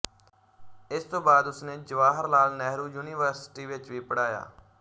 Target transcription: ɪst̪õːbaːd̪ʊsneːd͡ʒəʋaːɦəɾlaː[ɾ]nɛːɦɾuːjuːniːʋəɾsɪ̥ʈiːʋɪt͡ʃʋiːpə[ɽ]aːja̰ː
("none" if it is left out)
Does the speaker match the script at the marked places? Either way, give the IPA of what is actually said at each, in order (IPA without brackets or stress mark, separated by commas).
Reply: l, ɽ